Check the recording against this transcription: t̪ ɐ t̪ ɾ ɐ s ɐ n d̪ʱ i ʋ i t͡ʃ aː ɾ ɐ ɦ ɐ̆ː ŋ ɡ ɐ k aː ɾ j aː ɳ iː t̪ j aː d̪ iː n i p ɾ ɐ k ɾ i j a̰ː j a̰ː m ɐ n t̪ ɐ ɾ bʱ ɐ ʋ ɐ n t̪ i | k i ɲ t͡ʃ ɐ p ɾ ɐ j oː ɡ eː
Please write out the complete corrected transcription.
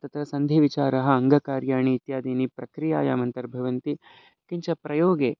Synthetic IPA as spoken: t̪ ɐ t̪ ɾ ɐ s ɐ n d̪ʱ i ʋ i t͡ʃ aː ɾ ɐ ɦ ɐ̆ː ŋ ɡ ɐ k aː ɾ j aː ɳ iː t̪ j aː d̪ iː n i p ɾ ɐ k ɾ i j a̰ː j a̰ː m ɐ n t̪ ɐ ɾ bʱ ɐ ʋ ɐ n t̪ i | k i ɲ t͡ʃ ɐ p ɾ ɐ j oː ɡ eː